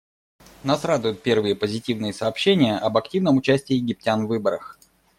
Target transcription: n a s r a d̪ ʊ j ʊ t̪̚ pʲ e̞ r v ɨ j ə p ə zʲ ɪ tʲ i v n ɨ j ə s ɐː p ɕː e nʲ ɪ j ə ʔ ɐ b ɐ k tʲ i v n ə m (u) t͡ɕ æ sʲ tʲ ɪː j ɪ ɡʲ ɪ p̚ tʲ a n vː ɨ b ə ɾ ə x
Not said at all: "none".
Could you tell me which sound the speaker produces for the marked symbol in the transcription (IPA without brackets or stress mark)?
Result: ʊ